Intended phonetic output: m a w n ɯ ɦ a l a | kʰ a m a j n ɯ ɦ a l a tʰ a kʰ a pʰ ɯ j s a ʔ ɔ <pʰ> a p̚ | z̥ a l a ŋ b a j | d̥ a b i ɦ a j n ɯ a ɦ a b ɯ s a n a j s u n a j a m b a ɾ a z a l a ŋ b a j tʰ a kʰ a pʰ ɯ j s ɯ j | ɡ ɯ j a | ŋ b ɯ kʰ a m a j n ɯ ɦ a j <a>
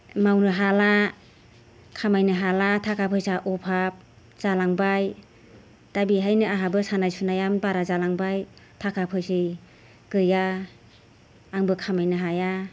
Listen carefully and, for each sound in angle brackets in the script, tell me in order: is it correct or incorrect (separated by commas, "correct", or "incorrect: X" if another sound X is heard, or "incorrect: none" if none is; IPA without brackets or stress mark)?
correct, correct